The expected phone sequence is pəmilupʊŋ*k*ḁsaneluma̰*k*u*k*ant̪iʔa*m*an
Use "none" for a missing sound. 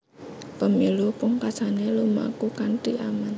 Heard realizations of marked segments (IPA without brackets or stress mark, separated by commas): k, k, k, m